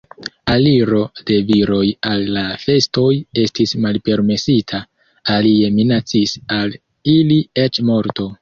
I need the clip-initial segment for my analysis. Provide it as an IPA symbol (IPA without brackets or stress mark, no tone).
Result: a